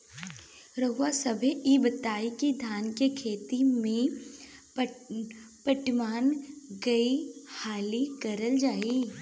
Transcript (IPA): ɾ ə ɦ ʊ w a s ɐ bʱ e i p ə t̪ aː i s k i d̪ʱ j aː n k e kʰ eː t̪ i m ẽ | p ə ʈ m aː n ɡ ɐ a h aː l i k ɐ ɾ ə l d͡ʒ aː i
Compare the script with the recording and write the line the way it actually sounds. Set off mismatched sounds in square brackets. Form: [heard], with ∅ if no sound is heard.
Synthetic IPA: ɾ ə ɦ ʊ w a s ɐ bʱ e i [b] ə t̪ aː i [∅] k i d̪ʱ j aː n k e kʰ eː t̪ i m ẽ | p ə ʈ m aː n ɡ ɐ [i] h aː l i k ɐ ɾ ə l d͡ʒ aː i